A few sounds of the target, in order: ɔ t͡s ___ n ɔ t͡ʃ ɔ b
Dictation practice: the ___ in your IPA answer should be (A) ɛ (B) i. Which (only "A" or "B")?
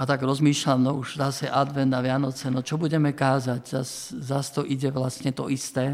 A